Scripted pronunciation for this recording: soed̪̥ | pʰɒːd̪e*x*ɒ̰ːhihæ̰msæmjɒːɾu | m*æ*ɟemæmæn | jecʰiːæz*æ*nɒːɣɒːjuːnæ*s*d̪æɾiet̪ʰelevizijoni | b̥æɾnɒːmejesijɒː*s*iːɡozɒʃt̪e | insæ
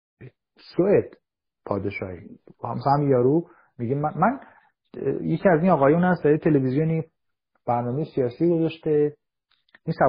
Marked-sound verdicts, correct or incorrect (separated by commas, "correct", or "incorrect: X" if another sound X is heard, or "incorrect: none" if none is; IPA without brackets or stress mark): incorrect: ʃ, incorrect: i, incorrect: i, correct, correct